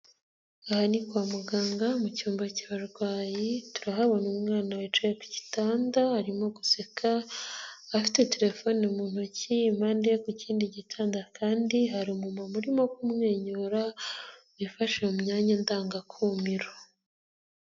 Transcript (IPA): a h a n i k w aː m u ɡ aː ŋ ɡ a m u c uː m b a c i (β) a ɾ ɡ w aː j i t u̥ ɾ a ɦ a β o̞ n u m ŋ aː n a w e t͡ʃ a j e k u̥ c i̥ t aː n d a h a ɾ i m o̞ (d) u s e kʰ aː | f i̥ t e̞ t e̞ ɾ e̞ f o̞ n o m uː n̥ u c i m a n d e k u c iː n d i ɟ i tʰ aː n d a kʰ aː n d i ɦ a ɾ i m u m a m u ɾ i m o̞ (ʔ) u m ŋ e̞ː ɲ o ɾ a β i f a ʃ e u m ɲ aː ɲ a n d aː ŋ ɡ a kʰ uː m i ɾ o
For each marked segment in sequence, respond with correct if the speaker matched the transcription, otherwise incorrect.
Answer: correct, incorrect: ɡ, incorrect: k

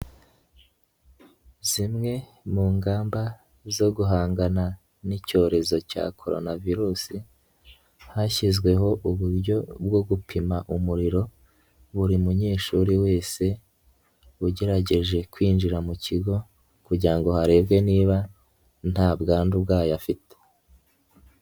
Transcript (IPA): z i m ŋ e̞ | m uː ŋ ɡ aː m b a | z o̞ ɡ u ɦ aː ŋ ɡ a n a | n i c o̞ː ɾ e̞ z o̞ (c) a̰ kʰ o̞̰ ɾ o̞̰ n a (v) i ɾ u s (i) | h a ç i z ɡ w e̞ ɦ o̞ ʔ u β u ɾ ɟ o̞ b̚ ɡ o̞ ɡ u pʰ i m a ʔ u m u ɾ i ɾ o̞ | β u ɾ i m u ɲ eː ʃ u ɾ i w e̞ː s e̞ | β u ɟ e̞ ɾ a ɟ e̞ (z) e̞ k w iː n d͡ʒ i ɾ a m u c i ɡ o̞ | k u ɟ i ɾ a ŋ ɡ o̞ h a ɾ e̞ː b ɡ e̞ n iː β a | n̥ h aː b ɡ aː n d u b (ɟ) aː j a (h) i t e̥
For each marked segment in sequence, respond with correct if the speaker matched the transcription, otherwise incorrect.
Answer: correct, correct, correct, incorrect: ʒ, incorrect: ɡ, incorrect: f

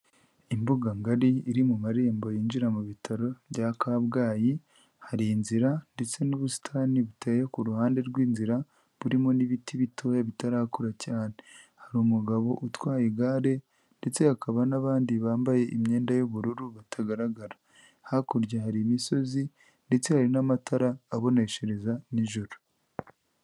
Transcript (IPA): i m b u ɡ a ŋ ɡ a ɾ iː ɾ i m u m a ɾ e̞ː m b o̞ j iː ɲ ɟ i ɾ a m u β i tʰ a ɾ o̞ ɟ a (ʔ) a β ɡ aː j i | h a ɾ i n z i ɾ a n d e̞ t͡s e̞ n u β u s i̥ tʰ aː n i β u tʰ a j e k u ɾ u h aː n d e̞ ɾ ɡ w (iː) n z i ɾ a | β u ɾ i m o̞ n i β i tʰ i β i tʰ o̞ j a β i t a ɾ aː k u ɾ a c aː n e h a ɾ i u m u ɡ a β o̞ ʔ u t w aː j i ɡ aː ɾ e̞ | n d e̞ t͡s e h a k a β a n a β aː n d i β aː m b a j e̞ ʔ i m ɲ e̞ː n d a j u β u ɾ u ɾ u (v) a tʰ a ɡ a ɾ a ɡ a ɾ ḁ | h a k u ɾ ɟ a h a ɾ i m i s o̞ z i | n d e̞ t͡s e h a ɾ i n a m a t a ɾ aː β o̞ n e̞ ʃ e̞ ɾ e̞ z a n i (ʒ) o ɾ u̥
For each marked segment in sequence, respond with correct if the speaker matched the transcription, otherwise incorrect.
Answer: incorrect: k, correct, incorrect: β, correct

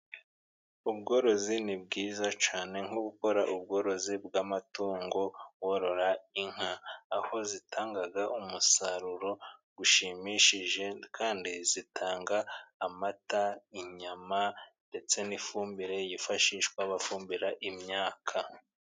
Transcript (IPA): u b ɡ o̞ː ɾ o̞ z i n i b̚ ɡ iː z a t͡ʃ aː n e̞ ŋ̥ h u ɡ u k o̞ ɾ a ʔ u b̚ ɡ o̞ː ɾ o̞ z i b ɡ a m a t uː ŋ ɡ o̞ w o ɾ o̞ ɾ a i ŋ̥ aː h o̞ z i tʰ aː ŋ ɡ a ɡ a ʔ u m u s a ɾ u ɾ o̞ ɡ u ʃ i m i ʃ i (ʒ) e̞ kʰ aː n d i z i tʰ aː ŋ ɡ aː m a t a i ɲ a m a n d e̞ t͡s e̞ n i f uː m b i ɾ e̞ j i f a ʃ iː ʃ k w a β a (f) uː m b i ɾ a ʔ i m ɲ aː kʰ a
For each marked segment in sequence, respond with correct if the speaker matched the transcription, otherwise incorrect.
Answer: correct, correct

